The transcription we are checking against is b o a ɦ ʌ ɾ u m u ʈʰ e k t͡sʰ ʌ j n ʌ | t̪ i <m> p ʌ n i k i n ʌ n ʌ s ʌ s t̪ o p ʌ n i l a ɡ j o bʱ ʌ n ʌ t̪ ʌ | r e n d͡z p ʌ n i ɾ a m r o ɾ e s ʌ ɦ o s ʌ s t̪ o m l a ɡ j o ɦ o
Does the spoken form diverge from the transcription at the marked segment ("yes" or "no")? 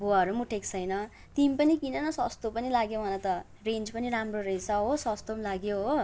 no